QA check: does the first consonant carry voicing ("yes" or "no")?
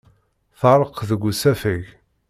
no